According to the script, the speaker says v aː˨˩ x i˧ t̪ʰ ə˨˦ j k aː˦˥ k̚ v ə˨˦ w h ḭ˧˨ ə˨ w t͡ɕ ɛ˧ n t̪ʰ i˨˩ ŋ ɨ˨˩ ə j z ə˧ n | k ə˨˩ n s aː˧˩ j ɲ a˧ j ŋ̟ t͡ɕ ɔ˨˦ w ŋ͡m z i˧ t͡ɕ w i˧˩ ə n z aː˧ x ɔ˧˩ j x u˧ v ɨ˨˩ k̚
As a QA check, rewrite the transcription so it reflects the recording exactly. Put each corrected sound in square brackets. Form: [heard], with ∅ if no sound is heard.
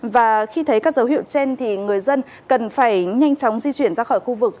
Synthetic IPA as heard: v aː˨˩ x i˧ t̪ʰ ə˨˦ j k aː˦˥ k̚ [z] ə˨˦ w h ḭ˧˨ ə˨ w t͡ɕ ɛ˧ n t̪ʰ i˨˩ ŋ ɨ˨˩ ə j z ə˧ n | k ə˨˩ n [f] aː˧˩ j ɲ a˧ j ŋ̟ t͡ɕ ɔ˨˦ w ŋ͡m z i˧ t͡ɕ w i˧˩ ə n z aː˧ x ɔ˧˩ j x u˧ v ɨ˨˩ k̚